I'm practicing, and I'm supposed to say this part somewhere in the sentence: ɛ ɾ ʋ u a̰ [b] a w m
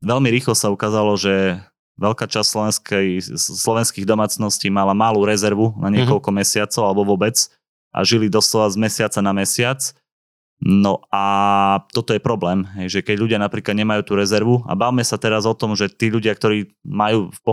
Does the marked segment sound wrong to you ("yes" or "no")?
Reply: no